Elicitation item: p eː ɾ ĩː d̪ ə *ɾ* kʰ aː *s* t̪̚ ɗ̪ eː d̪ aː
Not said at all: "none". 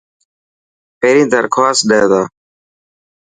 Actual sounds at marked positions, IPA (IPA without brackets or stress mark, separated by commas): ɾ, s